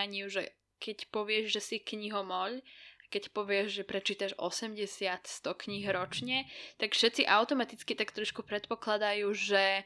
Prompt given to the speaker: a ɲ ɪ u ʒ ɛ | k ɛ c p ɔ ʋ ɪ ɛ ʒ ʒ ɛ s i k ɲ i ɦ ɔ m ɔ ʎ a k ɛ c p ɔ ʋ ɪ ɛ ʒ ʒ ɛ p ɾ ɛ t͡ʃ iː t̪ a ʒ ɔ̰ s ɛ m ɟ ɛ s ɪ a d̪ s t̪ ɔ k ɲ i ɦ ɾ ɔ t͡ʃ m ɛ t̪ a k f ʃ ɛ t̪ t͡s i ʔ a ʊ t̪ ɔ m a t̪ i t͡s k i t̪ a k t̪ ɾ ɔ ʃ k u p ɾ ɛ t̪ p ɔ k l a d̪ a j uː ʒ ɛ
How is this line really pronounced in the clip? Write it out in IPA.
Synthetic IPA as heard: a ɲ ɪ u ʒ ɛ | k ɛ c p ɔ ʋ ɪ ɛ ʒ ʒ ɛ s i k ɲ i ɦ ɔ m ɔ ʎ a k ɛ c p ɔ ʋ ɪ ɛ ʒ ʒ ɛ p ɾ ɛ t͡ʃ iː t̪ a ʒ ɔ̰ s ɛ m ɟ ɛ s ɪ a t̪ s t̪ ɔ k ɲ i ɦ ɾ ɔ t͡ʃ ɲ ɛ t̪ a k f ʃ ɛ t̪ t͡s i ʔ a ʊ t̪ ɔ m a t̪ i t͡s k i t̪ a k t̪ ɾ ɔ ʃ k u p ɾ ɛ t̪ p ɔ k l a d̪ a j uː ʒ ɛ